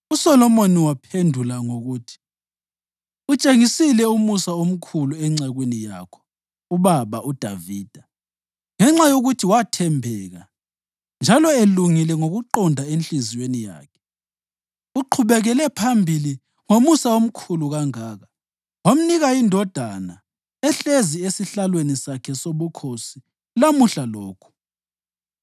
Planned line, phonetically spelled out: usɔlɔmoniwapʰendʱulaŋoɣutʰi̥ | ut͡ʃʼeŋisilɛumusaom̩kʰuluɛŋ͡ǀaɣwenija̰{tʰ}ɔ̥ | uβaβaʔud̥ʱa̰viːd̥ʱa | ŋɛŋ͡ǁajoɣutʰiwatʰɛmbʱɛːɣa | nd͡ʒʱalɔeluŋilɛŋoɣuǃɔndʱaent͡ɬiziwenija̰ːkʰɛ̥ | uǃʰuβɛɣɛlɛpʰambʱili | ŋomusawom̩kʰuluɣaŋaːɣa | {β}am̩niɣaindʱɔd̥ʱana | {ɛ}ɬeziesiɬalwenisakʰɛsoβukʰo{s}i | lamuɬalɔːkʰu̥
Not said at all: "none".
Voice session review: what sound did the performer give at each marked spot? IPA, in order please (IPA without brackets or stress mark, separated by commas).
kʰ, w, ɛ, s